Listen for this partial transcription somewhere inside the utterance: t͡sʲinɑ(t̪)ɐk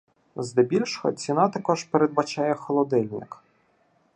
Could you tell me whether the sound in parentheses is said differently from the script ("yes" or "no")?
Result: no